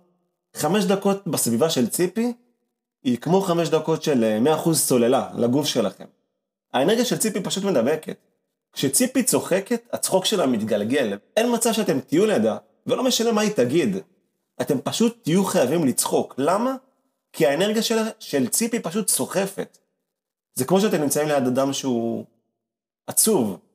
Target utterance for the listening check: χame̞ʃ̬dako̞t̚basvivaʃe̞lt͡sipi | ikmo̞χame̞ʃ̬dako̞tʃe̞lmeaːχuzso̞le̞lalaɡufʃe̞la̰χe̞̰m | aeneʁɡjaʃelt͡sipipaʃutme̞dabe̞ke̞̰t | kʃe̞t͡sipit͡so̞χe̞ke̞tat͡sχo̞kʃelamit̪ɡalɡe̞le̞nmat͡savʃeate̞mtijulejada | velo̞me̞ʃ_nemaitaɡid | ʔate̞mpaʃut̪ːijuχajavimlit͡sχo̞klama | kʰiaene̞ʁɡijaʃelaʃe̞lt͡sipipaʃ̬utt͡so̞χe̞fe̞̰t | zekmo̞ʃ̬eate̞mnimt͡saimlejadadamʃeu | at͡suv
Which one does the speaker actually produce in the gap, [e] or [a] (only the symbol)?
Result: a